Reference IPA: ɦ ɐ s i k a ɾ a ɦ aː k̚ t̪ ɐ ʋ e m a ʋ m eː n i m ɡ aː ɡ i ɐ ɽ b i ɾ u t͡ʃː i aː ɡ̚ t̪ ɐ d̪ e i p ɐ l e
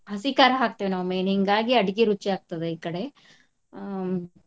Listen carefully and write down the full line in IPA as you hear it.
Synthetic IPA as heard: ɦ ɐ s i k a ɾ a ɦ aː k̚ t̪ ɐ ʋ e n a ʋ m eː n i ŋ ɡ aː ɡ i ɐ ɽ ɡ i ɾ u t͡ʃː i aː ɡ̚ t̪ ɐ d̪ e i k ɐ ɽ e